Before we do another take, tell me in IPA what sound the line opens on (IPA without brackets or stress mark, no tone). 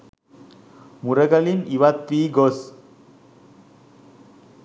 m